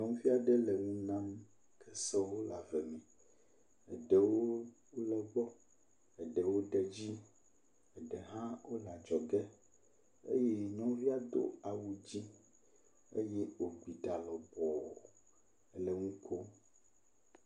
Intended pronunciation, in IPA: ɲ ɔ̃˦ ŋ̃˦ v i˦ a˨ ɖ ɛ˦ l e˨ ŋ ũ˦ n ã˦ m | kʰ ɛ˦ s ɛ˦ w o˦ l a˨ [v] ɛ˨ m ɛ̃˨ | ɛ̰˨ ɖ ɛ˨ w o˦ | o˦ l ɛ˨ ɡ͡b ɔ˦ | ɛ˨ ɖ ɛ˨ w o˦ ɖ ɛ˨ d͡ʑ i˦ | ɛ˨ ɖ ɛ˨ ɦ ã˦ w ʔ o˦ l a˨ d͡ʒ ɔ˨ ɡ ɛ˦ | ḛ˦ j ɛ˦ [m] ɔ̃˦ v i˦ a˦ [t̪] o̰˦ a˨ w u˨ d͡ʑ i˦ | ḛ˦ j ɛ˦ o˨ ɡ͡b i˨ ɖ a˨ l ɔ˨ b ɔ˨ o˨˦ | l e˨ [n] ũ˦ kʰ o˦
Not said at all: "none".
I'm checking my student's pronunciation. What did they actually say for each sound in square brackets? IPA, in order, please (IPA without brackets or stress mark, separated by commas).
v, ɲ, d̪, ŋ